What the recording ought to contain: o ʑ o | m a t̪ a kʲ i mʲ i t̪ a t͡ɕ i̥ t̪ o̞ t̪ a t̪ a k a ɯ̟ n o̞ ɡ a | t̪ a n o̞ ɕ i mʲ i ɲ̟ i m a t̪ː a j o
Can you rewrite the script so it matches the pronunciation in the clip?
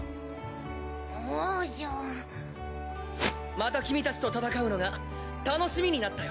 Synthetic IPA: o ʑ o | m a t̪ a kʲ i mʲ i t̪ a t͡ɕ i̥ t̪ o̞ t̪ a t̪ a k a ɯ̟ n o̞ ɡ a | t̪ a n o̞ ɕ i mʲ i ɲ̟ i n a t̪ː a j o